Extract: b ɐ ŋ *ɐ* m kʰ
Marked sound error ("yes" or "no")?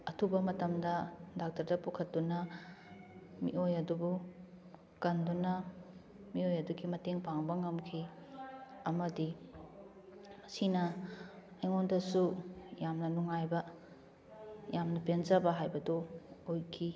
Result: no